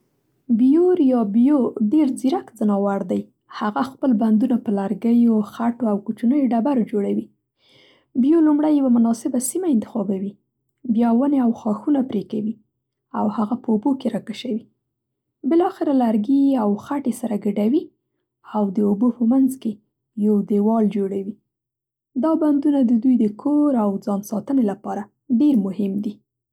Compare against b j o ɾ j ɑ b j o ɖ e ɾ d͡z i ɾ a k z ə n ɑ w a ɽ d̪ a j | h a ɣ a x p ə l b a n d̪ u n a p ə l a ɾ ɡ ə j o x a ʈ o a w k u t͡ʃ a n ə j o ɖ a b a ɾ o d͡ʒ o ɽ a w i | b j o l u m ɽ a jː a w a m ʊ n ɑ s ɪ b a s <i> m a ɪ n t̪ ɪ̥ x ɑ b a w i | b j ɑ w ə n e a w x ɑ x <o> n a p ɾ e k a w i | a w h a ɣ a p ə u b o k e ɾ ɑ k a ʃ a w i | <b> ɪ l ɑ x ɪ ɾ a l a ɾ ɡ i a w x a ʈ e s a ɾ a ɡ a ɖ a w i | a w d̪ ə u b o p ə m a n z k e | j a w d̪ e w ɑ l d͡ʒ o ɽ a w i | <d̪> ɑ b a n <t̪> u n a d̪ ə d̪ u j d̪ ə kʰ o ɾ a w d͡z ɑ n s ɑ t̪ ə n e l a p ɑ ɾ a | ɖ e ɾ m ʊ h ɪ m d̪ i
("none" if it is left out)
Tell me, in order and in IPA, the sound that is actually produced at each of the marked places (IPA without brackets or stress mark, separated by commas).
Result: i, u, b, d̪, d̪